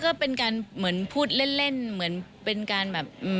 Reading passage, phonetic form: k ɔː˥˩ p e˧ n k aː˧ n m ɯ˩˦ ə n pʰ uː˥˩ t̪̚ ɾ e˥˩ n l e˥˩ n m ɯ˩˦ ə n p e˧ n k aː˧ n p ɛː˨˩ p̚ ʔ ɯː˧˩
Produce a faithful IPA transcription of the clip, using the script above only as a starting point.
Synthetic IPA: k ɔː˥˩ p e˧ n k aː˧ n m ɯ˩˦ ə n pʰ uː˥˩ t̪̚ l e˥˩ n l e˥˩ n m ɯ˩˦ ə n p e˧ n k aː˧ n b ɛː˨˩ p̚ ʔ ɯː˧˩

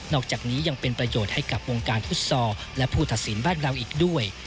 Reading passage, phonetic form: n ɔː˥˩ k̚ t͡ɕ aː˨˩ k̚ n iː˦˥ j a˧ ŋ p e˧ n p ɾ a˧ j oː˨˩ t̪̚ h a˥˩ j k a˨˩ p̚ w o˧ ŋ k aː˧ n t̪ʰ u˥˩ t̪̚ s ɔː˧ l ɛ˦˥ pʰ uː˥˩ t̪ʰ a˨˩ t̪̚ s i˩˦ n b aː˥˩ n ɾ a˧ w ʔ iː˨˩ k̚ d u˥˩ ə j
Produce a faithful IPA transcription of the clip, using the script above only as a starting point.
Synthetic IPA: n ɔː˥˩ k̚ t͡ɕ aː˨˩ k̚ n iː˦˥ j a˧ ŋ p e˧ n p ɾ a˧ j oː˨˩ t̪̚ h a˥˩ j k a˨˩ p̚ w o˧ ŋ k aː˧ n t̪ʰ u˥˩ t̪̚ s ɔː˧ l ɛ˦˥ pʰ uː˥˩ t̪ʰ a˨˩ t̪̚ s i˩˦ n b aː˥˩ n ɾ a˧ w ʔ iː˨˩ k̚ d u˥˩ ə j

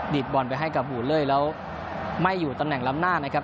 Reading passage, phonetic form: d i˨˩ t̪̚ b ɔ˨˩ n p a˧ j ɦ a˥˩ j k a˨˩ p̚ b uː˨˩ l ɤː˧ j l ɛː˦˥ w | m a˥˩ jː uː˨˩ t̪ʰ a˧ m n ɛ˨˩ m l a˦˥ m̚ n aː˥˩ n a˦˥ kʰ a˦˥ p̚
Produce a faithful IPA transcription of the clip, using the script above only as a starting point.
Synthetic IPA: d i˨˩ t̪̚ b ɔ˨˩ n p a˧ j ɦ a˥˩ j k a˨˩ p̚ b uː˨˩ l ɤː˥˩ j l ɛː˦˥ w | m a˥˩ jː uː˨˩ t̪ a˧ m n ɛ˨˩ ŋ l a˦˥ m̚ n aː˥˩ n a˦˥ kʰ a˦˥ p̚

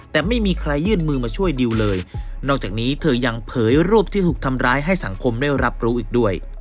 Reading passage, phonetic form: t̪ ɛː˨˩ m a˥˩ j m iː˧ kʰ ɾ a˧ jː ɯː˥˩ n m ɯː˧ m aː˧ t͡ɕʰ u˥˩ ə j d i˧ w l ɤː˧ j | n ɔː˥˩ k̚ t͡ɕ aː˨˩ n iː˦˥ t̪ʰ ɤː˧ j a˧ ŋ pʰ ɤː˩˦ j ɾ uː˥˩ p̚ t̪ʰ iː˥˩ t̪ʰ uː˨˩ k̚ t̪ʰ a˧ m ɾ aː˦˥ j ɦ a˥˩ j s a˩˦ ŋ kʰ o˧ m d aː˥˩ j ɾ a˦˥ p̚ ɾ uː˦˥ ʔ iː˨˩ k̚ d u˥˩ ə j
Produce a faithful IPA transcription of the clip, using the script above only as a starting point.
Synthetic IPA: t̪ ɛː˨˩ m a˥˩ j m iː˧ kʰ ɾ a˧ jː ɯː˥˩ n m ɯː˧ m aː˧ t͡ɕʰ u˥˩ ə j d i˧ w l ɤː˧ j | n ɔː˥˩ k̚ t͡ɕ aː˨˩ n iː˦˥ t̪ʰ ɤː˧ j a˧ ŋ pʰ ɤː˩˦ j ɾ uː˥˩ p̚ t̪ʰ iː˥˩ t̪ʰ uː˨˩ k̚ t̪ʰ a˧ m ɾ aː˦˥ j ɦ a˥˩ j s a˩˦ ŋ kʰ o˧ m d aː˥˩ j ɾ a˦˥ p̚ ɾ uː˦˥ ʔ iː˨˩ k̚ d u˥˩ ə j

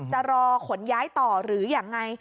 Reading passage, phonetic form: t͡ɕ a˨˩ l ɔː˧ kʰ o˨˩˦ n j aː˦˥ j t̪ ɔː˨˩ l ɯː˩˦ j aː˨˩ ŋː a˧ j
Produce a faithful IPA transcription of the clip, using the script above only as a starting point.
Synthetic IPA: t͡ɕ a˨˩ ɾ ɔː˧ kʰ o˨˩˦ n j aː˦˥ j t̪ ɔː˨˩ ɾ ɯː˩˦ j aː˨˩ ŋː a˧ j

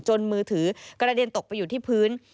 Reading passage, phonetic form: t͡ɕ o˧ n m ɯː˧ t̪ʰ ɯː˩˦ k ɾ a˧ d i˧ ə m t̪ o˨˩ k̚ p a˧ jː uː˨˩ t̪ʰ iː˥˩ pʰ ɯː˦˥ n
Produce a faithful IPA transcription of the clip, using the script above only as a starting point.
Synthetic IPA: t͡ɕ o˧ n m ɯː˧ t̪ʰ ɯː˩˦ k ɾ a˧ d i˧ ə n t̪ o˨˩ k̚ p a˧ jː uː˨˩ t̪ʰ iː˥˩ pʰ ɯː˦˥ n

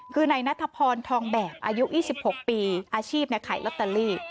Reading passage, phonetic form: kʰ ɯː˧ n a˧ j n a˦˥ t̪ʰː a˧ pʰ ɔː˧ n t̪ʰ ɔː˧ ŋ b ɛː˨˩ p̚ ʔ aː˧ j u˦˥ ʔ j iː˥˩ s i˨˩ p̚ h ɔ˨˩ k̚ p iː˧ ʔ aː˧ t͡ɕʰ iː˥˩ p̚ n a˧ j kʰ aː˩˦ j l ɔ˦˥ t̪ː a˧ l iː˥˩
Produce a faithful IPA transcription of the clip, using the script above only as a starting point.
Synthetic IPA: kʰ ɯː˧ n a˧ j n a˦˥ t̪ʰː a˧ pʰ ɔː˧ n t̪ʰ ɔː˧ ŋ b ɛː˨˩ p̚ ʔ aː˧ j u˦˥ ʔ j iː˥˩ s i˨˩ p̚ h o˨˩ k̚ p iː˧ ʔ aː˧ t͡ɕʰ iː˥˩ p̚ n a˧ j kʰ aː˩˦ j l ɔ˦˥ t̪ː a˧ l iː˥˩

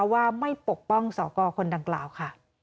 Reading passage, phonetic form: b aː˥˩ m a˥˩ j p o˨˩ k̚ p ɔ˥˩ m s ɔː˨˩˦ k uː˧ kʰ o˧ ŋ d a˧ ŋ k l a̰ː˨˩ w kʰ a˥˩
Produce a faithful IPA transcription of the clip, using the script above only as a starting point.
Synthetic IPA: w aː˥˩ m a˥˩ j p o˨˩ k̚ p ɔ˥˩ ŋ s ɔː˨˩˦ k ɔː˧ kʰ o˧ n d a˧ ŋ k l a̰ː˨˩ w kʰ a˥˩

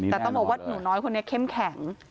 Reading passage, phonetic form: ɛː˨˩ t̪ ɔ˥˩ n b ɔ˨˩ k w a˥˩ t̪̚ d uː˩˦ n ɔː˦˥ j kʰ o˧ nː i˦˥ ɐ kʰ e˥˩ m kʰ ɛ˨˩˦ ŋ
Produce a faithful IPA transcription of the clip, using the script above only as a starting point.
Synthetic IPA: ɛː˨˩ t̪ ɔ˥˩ ŋ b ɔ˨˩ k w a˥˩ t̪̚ n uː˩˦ n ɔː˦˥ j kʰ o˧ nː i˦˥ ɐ kʰ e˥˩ m kʰ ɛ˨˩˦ ŋ

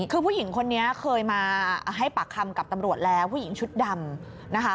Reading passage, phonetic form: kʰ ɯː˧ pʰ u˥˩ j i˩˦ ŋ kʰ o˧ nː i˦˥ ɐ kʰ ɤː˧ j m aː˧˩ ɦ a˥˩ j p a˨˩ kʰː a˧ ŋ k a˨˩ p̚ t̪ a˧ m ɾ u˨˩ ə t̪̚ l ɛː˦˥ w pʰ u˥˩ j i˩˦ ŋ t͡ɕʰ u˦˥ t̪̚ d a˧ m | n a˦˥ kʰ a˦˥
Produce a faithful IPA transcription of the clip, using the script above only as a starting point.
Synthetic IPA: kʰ ɯː˧ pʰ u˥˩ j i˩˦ ŋ kʰ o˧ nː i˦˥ ɐ kʰ ɤː˧ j m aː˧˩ ɦ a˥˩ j p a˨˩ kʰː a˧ m k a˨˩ p̚ t̪ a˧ m ɾ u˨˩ ə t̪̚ l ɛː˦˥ w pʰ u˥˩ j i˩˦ ŋ t͡ɕʰ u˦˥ t̪̚ d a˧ m | n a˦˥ kʰ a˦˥

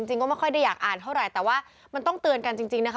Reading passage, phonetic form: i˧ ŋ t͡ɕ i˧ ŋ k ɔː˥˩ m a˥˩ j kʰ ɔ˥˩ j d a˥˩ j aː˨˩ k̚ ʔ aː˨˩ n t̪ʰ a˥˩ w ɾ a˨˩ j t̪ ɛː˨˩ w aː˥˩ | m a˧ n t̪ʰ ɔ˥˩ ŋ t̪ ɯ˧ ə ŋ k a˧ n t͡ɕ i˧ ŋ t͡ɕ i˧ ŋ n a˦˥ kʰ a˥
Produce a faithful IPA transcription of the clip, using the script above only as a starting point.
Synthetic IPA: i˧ ŋ t͡ɕ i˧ ŋ k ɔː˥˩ m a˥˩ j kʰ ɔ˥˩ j d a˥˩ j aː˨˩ k̚ ʔ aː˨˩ n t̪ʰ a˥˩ w ɾ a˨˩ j t̪ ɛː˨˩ w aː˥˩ | m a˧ n t̪ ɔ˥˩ ŋ t̪ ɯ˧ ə n k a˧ n t͡ɕ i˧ ŋ t͡ɕ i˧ ŋ n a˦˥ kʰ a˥

